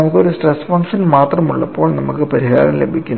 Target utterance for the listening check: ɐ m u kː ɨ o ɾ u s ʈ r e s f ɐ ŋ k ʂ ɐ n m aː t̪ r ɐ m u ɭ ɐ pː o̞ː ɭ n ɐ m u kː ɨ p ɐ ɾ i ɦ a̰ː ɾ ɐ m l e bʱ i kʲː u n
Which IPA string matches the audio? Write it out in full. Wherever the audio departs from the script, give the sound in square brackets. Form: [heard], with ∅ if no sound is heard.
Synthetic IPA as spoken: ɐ m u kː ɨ o ɾ u s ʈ r e s f ɐ ŋ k ʂ ɐ n m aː t̪ r ɐ m u [ɭː] ɐ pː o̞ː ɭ n ɐ m u kː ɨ p ɐ ɾ i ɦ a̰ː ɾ ɐ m l e bʱ i kʲː u n